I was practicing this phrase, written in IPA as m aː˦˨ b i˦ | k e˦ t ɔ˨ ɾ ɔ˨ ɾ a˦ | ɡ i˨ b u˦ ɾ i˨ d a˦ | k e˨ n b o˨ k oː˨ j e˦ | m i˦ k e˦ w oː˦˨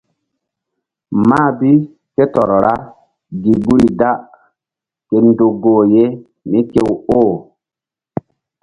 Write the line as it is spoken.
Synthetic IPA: m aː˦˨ b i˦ | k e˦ t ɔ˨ ɾ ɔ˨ ɾ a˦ | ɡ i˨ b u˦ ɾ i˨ d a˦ | k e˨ n d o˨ ɡ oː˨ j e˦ | m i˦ k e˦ w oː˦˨